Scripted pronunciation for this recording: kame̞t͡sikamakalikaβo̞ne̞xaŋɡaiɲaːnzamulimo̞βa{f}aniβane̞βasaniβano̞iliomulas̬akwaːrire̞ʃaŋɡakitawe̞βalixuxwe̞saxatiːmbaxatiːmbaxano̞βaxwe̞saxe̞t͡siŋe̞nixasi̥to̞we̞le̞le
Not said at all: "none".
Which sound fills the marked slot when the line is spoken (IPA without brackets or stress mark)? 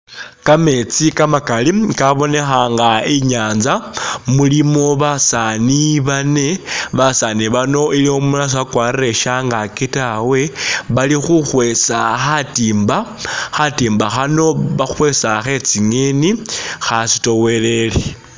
s